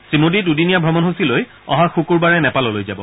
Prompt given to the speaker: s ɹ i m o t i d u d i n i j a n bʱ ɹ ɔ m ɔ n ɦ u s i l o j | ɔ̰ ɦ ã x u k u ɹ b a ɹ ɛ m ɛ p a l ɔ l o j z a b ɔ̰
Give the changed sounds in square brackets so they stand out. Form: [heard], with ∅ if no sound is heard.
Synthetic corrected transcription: s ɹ i m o [d] i d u d i n i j a [∅] bʱ ɹ ɔ m ɔ n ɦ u s i l o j | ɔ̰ ɦ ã x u k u ɹ b a ɹ ɛ [n] ɛ p a l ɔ l o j z a b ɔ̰